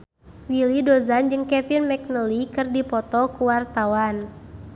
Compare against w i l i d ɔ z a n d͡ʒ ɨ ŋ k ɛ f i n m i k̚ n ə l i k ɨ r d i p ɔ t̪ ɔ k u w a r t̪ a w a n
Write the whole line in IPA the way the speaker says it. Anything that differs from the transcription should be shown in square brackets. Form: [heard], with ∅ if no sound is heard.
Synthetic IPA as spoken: w i l i d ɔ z a n d͡ʒ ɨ ŋ k ɛ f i n m [ɛ] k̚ n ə l i k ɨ r d i p ɔ t̪ ɔ k u w a r t̪ a w a n

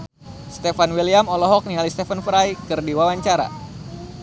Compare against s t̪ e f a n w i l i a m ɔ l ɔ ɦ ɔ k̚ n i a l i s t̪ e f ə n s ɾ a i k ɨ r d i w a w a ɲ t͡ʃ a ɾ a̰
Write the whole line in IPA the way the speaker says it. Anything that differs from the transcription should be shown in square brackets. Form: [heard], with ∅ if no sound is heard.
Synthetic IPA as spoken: s t̪ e f a n w i l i a m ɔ l ɔ ɦ ɔ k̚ n i a l i s t̪ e f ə n [f] ɾ a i k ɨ r d i w a w a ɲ t͡ʃ a ɾ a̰

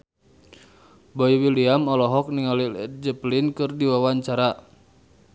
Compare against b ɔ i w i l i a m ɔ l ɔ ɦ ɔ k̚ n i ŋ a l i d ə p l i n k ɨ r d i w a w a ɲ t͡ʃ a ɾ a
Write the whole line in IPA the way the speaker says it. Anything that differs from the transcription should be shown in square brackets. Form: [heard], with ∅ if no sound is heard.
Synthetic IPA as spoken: b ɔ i w i l i a m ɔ l ɔ ɦ ɔ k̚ n i ŋ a l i [d͡ʒ] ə p l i n k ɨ r d i w a w a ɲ t͡ʃ a ɾ a

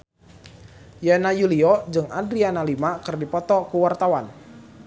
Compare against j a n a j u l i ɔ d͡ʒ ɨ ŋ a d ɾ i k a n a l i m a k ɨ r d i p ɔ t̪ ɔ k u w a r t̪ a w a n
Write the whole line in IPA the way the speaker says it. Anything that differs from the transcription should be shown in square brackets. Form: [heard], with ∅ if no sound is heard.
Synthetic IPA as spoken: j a n a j u l i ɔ d͡ʒ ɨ ŋ a d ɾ i [∅] a n a l i m a k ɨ r d i p ɔ t̪ ɔ k u w a r t̪ a w a n

